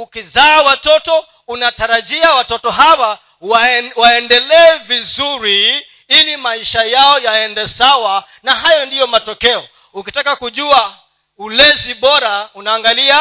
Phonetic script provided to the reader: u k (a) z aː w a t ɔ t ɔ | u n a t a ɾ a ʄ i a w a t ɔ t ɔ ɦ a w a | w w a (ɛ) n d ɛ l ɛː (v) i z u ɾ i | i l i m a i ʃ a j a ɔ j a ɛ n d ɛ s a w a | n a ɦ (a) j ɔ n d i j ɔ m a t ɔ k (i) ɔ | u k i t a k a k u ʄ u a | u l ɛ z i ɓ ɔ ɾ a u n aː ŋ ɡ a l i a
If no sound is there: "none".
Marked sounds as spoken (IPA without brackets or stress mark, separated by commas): i, ɛ, v, a, ɛ